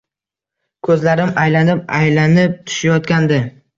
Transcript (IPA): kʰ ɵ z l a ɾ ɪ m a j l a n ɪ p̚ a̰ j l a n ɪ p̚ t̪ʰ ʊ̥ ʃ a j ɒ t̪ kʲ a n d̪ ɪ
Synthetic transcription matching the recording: kʰ ɵ z l a ɾ ɪ m a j l a n ɪ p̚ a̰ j l a n ɪ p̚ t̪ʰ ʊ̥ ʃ a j ɒ t̪ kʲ a n d̪ ɪ